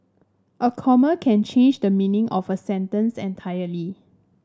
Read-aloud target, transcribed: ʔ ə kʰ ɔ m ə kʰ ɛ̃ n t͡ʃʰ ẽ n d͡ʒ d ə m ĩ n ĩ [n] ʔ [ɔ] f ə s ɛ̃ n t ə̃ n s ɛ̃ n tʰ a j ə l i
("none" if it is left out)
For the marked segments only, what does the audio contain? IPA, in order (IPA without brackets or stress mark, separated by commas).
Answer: ŋ, ɔ